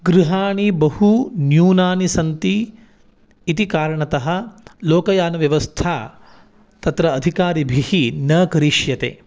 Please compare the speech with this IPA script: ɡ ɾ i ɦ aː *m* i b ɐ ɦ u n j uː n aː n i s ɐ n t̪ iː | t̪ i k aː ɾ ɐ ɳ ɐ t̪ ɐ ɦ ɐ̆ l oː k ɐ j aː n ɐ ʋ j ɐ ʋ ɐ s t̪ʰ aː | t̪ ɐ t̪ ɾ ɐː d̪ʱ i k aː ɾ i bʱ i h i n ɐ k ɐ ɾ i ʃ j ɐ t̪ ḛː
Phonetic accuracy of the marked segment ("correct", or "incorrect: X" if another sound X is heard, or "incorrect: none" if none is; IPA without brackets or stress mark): incorrect: ɳ